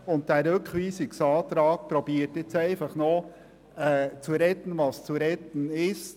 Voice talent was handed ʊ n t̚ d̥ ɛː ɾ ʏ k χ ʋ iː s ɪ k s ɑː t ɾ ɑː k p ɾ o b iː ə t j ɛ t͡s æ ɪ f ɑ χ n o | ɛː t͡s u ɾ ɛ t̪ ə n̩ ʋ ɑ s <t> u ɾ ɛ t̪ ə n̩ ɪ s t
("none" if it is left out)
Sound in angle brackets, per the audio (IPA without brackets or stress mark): t͡s